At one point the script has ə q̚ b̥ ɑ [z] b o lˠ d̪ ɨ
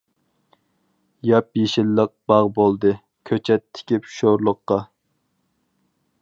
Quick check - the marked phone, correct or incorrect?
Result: incorrect